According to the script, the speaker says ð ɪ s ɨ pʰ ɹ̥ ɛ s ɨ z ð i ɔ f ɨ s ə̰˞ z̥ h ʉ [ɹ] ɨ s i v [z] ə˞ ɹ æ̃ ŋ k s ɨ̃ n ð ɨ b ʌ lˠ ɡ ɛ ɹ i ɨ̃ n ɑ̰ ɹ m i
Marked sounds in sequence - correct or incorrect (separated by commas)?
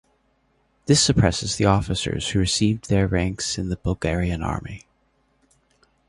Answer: correct, incorrect